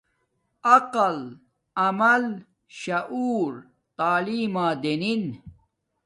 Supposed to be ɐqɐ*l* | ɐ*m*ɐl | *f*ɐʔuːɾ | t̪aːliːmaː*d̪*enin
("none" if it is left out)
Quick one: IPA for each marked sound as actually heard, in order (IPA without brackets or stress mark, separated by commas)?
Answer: l, m, ɕ, d̪